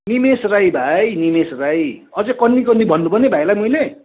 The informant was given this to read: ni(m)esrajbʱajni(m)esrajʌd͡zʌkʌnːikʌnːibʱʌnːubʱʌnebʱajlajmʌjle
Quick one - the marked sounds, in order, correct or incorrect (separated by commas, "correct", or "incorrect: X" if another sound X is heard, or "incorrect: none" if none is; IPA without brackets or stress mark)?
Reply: correct, correct